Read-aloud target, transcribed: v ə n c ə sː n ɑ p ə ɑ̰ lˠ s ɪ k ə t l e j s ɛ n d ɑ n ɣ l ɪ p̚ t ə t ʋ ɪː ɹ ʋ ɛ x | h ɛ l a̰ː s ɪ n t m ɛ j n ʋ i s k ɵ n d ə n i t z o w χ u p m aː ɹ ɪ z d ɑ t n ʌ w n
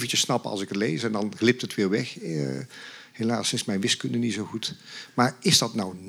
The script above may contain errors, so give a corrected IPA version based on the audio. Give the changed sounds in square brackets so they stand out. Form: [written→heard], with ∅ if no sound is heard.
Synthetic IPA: v ə n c ə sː n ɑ p ə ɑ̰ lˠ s ɪ k ə t l e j s ɛ n d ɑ n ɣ l ɪ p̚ t ə t ʋ ɪː ɹ ʋ ɛ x | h [ɛ→e] l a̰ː s ɪ n [t→s] m ɛ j n ʋ [i→ɪ] s k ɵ n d ə n i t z o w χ u [p→t] m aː ɹ ɪ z d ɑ t n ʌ w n